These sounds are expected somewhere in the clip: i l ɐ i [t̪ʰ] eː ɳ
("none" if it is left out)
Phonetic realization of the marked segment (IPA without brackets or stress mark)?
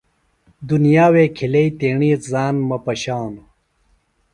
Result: t̪